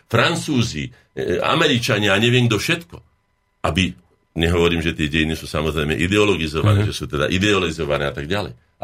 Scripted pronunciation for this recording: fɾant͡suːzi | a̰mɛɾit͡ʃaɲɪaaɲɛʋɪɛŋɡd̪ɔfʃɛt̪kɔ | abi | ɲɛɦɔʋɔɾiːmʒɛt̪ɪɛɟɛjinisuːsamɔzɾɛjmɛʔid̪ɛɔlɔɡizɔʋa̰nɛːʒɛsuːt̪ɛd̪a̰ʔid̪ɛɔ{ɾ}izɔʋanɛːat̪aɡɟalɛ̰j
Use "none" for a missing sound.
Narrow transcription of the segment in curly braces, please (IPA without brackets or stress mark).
l